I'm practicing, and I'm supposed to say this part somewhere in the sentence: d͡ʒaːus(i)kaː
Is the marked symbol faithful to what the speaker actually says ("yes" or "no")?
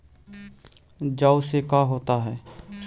no